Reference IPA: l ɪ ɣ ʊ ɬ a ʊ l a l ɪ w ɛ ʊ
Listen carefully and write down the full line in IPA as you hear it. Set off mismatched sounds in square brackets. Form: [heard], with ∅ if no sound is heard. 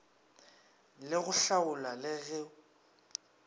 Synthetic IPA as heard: l ɪ ɣ ʊ ɬ a ʊ l a l ɪ [ɣ] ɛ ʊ